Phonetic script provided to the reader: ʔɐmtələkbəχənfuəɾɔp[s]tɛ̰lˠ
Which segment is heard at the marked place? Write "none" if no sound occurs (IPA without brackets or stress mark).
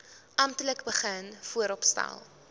s